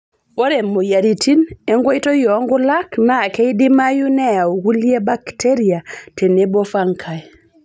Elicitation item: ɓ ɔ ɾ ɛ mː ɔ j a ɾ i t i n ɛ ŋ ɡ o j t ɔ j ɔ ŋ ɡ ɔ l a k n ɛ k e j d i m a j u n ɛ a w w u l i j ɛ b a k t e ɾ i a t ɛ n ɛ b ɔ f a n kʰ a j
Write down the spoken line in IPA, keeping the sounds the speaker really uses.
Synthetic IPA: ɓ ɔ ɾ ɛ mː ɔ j a ɾ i t i n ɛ ŋ ɡ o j t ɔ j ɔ ŋ ɡ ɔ l a k n a k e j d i m a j u n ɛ a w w u l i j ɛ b a k t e ɾ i a t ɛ n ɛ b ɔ f a ŋ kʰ a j